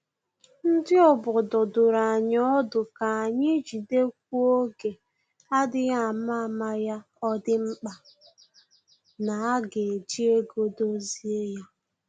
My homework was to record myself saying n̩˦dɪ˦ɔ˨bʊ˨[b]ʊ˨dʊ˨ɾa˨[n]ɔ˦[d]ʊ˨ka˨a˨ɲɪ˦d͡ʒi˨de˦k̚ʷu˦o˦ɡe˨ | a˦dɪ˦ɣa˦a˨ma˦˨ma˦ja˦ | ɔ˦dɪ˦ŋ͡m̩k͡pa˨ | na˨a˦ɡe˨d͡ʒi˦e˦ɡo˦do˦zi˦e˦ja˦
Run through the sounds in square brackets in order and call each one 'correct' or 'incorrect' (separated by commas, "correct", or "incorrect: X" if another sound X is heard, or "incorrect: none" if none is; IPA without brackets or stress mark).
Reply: incorrect: d, incorrect: ɲ, correct